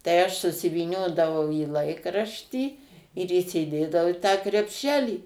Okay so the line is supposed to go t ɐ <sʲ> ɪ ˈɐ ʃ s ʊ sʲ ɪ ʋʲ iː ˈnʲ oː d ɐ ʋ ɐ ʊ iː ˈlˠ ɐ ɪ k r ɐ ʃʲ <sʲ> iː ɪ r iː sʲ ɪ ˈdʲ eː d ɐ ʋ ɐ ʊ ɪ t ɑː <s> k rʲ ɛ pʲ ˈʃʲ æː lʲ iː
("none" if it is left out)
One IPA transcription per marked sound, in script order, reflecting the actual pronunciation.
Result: none, tʲ, none

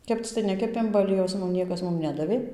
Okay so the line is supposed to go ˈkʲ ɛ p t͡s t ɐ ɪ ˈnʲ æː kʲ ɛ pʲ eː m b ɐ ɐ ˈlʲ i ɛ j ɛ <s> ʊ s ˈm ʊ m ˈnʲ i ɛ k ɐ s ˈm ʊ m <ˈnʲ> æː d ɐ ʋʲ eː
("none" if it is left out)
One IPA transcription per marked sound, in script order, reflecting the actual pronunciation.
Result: none, nʲ

